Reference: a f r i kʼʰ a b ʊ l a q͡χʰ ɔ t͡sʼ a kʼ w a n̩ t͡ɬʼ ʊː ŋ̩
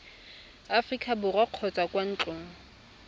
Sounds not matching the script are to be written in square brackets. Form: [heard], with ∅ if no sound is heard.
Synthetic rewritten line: a f r i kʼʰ a b ʊ [r] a q͡χʰ ɔ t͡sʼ a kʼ w a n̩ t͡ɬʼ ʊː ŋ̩